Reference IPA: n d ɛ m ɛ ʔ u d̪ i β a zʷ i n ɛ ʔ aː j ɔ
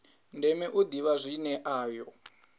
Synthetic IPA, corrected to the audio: n d ɛ m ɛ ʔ u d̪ i β a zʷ i n ɛ ʔ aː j ɔ